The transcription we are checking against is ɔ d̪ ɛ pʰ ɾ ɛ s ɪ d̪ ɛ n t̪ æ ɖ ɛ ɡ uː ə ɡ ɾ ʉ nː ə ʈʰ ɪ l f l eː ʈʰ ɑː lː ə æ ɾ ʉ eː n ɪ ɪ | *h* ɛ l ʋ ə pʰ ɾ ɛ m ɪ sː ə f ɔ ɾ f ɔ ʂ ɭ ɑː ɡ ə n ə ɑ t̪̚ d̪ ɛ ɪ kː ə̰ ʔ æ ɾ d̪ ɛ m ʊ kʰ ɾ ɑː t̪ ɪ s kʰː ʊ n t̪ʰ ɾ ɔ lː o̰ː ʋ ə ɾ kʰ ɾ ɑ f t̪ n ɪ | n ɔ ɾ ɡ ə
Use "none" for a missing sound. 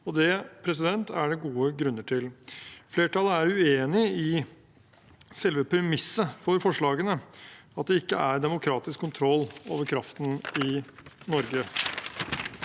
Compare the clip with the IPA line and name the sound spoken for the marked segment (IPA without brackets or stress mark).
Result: s